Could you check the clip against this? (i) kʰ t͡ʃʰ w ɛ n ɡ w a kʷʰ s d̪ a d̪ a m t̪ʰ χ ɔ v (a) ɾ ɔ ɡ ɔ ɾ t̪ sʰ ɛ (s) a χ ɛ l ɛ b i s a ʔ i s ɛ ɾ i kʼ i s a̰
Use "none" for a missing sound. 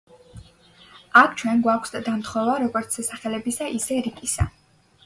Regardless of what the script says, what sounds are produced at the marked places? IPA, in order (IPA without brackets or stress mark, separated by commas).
a, a, s